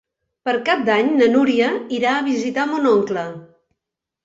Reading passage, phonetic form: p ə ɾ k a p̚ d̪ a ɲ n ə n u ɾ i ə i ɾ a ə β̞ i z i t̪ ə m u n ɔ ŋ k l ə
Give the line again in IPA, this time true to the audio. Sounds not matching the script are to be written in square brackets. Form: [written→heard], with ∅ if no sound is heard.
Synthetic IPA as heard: p ə ɾ k a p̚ d̪ a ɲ n ə n u ɾ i ə i ɾ a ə β̞ i z i t̪ [ə→a] m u n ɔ ŋ k l ə